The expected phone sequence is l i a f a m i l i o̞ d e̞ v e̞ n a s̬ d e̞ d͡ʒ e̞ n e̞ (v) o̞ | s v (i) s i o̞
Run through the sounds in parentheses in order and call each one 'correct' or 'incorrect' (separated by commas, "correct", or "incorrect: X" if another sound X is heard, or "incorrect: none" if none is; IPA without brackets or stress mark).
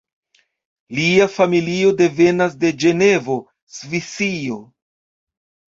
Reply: correct, correct